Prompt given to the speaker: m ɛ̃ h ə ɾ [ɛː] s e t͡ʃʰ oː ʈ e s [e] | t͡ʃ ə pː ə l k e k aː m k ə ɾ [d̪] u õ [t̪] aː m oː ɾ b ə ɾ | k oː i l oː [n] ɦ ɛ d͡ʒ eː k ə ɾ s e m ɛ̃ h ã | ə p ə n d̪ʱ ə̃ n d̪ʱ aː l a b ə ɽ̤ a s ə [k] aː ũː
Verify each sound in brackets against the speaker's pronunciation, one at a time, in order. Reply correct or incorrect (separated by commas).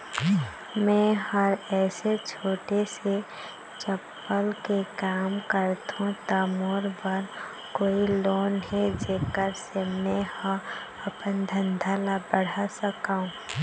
correct, correct, incorrect, correct, correct, correct